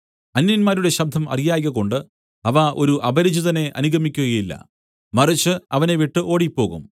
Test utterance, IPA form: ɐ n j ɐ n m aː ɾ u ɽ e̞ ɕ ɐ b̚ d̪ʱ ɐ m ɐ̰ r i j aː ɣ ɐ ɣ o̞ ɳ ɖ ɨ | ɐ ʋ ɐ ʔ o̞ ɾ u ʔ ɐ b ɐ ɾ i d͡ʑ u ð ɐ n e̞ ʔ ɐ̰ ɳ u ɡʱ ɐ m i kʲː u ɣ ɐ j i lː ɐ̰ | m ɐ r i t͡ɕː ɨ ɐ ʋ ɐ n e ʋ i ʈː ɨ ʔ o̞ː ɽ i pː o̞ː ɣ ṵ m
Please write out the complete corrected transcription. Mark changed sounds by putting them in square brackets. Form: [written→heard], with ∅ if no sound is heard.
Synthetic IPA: ɐ n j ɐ n m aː ɾ u ɽ e̞ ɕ ɐ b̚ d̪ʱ ɐ m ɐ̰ r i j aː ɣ ɐ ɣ o̞ ɳ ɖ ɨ | ɐ ʋ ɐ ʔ o̞ ɾ u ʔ ɐ b ɐ ɾ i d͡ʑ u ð ɐ n e̞ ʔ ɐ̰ [ɳ→n] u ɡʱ ɐ m i kʲː u ɣ ɐ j i lː ɐ̰ | m ɐ r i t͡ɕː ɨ ɐ ʋ ɐ n e ʋ i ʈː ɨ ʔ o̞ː ɽ i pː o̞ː ɣ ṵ m